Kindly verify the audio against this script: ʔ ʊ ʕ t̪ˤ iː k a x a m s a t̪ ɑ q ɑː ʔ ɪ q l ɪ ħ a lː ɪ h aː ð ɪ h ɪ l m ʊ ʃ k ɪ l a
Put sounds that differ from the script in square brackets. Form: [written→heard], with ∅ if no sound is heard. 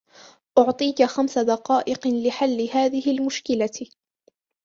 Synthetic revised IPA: ʔ ʊ ʕ t̪ˤ iː k a x a m s a [t̪→d̪] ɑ q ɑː ʔ ɪ q l ɪ ħ a lː ɪ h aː ð ɪ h ɪ l m ʊ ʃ k ɪ l a

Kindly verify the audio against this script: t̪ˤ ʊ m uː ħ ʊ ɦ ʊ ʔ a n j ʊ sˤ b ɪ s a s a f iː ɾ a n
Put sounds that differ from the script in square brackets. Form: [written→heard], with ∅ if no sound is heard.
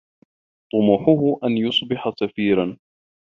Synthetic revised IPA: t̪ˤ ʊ m uː ħ ʊ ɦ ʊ ʔ a n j ʊ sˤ b ɪ [s→ħ] a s a f iː ɾ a n

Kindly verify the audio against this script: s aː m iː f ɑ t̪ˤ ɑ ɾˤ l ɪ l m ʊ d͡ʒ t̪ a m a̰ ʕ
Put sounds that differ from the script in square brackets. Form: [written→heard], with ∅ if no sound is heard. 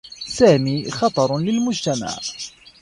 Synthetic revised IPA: s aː m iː [f→x] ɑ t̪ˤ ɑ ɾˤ l ɪ l m ʊ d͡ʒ t̪ a m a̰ ʕ

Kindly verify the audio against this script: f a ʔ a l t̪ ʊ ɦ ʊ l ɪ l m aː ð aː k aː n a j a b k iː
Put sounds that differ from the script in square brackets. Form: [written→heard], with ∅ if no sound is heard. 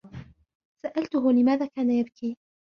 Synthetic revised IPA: [f→s] a ʔ a l t̪ ʊ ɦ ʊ l ɪ [l→∅] m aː ð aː k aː n a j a b k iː

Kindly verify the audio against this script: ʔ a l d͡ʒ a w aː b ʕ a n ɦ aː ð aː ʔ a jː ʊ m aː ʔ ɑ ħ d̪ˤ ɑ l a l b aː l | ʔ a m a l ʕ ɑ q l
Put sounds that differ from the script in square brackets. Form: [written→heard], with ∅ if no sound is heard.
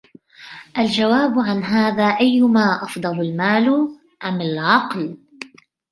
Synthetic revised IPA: ʔ a l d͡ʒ a w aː b ʕ a n ɦ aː ð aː ʔ a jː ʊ m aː ʔ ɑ [ħ→f] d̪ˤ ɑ l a l [b→m] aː l | ʔ a m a l ʕ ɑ q l

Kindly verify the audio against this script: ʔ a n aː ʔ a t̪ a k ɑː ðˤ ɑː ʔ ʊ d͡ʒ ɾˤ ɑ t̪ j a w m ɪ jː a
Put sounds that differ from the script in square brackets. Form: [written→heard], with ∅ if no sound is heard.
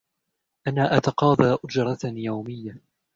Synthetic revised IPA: ʔ a n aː ʔ a t̪ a [k→q] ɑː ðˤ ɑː ʔ ʊ d͡ʒ ɾˤ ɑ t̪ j a w m ɪ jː a

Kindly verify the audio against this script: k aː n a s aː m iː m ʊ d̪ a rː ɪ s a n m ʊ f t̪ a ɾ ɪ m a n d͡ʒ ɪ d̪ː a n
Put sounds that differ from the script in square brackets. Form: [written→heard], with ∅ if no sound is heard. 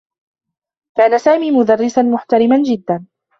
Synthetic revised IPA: k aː n a s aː m iː m ʊ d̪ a rː ɪ s a n m ʊ [f→ħ] t̪ a ɾ ɪ m a n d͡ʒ ɪ d̪ː a n

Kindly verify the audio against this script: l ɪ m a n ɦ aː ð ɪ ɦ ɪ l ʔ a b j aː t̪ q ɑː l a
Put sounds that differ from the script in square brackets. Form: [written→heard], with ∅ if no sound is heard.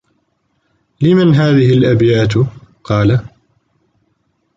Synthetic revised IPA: l ɪ m a n ɦ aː ð ɪ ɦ ɪ l ʔ a b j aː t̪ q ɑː l a

